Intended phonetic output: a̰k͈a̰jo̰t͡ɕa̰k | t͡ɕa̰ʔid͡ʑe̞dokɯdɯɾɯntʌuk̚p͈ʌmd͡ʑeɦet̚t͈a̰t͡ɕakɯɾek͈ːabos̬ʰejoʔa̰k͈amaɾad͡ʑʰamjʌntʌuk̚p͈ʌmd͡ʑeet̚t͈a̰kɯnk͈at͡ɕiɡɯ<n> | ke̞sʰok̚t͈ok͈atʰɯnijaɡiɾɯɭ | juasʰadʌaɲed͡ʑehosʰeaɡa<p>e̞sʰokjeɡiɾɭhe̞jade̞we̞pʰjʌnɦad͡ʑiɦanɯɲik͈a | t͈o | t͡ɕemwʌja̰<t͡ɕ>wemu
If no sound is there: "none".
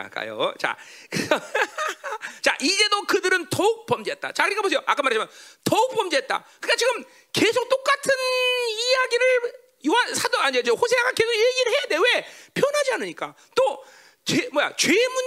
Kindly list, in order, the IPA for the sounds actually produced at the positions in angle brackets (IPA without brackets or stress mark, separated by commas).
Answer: m, k, t͡ɕ